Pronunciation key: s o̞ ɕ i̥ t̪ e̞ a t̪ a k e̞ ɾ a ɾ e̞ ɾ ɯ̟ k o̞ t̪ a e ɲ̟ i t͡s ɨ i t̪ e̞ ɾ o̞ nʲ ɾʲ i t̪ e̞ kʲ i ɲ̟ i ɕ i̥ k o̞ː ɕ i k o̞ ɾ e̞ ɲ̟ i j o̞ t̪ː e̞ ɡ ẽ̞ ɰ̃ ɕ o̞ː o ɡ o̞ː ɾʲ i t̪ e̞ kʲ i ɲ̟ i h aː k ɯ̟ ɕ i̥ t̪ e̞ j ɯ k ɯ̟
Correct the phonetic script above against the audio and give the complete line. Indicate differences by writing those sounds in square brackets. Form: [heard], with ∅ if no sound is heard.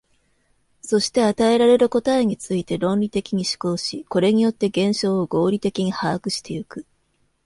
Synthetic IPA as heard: s o̞ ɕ i̥ t̪ e̞ a t̪ a [∅] e̞ ɾ a ɾ e̞ ɾ ɯ̟ k o̞ t̪ a e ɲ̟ i t͡s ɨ i t̪ e̞ ɾ [õ̞] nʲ ɾʲ i t̪ e̞ kʲ i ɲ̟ i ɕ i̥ k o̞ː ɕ i k o̞ ɾ e̞ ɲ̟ i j o̞ t̪ː e̞ ɡ ẽ̞ ɰ̃ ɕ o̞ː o ɡ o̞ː ɾʲ i t̪ e̞ kʲ i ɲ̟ i h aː k ɯ̟ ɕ i̥ t̪ e̞ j ɯ k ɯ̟